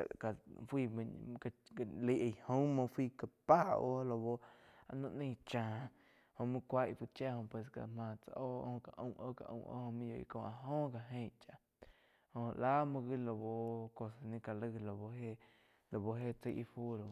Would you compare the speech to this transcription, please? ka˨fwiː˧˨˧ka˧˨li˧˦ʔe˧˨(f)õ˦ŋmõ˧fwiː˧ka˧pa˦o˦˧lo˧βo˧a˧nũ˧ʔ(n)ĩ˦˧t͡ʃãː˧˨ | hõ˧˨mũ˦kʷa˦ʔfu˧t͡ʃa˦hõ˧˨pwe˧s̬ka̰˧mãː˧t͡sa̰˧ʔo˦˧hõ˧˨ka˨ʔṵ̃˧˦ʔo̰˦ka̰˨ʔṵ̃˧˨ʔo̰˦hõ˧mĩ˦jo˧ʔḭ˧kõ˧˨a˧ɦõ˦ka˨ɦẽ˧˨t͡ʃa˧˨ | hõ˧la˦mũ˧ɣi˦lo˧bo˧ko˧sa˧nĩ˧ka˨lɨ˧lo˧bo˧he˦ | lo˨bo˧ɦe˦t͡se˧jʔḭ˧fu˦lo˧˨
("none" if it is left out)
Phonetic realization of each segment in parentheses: h, n

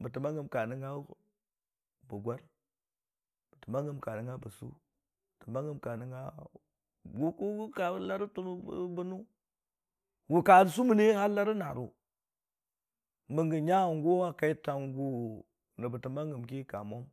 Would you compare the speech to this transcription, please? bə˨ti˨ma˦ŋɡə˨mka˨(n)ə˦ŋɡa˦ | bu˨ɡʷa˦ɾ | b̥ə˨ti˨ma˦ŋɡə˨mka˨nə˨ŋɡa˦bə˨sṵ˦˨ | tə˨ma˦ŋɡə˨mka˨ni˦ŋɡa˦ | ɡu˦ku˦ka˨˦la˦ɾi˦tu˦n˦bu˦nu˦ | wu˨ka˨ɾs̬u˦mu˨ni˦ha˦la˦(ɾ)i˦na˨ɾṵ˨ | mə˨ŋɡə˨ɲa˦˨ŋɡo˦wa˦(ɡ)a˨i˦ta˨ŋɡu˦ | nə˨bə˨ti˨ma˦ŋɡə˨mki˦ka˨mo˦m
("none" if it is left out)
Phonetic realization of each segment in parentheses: n, ɾ, k

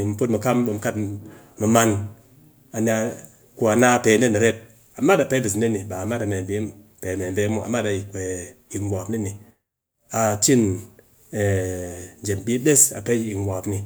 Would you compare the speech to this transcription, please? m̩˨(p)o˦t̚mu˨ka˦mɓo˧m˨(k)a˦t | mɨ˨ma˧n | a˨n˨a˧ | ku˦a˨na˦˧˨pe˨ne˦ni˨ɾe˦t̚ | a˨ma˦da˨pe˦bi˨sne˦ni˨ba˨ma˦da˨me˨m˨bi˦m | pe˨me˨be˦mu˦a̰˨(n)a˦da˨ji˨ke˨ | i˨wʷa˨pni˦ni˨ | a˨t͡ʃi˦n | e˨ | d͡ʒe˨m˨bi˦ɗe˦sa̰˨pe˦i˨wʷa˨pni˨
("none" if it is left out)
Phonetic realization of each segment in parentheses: p, k, m

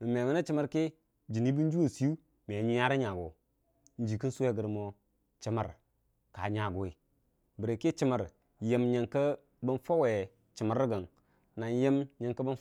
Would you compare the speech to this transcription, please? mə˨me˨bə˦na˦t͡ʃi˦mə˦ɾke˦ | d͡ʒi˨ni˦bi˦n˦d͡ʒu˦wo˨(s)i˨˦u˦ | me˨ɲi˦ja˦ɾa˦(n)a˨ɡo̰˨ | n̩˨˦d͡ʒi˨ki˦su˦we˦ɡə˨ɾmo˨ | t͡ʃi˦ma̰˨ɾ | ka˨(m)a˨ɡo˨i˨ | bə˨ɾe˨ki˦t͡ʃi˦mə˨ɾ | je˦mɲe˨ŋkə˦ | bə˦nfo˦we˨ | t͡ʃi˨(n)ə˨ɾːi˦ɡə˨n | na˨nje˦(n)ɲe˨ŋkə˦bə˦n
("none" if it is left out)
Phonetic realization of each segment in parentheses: s, ɲ, ɲ, m, m

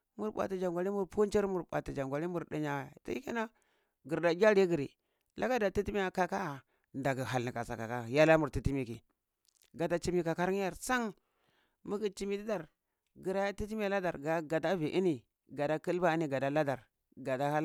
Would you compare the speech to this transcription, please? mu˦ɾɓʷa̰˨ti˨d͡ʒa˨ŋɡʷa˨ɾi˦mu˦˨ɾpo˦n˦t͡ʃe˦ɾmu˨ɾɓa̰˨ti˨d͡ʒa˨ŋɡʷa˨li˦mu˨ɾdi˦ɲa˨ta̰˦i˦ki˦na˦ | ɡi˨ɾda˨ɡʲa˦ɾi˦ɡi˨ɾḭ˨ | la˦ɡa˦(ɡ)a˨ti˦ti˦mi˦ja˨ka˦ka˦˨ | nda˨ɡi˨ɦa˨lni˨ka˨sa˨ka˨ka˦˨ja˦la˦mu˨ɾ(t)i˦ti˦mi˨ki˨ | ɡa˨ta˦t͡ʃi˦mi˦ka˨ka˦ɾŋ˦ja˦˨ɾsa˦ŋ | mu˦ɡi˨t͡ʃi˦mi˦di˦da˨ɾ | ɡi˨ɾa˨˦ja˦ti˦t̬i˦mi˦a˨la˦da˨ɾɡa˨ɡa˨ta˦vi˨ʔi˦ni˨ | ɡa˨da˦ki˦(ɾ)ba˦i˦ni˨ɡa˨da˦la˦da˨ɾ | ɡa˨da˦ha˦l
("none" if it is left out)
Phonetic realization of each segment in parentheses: d, t, l

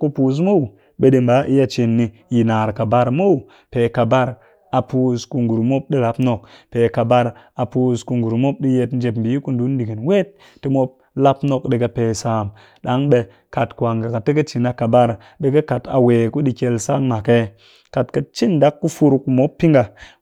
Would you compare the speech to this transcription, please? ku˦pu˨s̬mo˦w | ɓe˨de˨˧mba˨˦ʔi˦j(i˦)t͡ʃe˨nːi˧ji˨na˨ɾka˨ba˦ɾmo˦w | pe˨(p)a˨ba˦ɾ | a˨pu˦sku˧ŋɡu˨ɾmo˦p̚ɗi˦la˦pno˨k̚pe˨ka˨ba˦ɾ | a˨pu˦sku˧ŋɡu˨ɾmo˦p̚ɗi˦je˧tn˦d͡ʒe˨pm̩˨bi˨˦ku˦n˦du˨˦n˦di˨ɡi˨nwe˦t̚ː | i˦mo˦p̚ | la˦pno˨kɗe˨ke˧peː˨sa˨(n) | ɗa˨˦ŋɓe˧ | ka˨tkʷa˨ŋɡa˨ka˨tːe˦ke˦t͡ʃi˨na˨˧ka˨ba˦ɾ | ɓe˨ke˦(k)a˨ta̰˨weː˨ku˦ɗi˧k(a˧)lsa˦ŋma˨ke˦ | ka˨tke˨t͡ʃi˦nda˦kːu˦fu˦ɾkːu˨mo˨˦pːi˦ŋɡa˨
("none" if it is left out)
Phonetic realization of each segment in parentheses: a˦, k, m, k, e˧

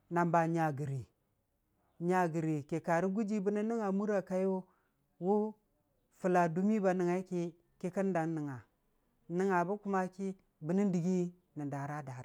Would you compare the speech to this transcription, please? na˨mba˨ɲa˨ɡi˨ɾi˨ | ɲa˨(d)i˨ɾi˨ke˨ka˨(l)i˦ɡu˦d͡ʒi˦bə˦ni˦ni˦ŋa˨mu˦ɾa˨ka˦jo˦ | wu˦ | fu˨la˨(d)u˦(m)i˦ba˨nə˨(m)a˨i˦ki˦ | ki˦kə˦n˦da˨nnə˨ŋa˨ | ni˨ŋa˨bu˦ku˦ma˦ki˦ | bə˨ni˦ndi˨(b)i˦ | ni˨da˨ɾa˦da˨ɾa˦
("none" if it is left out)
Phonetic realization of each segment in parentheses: ɡ, ɾ, d, m, ŋ, ɡ

